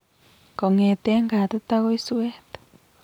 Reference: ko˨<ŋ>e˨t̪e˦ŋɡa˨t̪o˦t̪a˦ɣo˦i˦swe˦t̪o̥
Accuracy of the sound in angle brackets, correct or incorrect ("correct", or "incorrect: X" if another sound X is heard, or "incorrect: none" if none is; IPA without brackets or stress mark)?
correct